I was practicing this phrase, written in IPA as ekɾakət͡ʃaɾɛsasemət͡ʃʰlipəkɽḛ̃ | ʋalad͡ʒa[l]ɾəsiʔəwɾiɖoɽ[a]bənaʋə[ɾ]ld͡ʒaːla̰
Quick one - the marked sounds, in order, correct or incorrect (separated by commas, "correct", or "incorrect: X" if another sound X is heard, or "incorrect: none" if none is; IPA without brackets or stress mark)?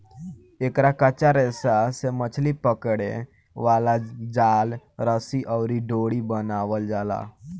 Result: correct, incorrect: i, incorrect: none